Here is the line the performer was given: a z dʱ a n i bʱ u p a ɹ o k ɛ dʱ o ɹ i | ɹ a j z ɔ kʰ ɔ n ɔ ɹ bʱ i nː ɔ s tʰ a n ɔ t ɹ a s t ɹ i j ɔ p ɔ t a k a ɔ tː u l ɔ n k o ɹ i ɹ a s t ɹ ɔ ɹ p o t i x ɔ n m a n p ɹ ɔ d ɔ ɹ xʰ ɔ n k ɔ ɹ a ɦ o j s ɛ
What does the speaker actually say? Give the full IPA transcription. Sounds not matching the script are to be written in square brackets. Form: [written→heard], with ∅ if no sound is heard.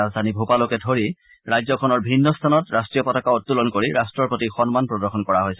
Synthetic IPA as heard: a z dʱ a n i bʱ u p a [ɹ→l] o k ɛ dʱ o ɹ i | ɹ a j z ɔ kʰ ɔ n ɔ ɹ bʱ i nː ɔ s tʰ a n ɔ t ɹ a s t ɹ i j ɔ p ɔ t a k a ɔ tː u l ɔ n k o ɹ i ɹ a s t ɹ ɔ ɹ p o t i x ɔ n m a n p ɹ ɔ d ɔ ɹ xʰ ɔ n k ɔ ɹ a ɦ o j s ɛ